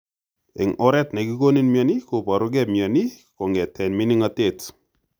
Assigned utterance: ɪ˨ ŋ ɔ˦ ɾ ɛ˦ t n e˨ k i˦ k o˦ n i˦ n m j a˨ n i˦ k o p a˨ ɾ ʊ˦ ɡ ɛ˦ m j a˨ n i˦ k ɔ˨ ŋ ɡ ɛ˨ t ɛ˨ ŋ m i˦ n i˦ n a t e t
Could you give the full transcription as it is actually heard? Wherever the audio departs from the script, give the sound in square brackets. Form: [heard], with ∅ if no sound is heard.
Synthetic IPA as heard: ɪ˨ ŋ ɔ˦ ɾ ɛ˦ t n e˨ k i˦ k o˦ n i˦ n m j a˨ n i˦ k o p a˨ ɾ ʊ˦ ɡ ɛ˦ m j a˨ n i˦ k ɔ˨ ŋ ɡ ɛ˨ t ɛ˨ [n] m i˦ n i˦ [ŋ] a t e t